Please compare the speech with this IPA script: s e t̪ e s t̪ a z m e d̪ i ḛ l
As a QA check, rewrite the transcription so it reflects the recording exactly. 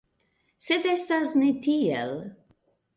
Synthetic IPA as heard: s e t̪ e s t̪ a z n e t̪ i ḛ l